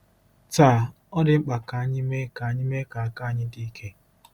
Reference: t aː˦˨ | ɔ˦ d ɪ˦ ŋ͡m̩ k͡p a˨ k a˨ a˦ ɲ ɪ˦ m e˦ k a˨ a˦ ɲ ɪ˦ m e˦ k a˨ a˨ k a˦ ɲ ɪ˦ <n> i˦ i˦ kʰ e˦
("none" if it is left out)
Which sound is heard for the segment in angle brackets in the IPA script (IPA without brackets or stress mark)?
d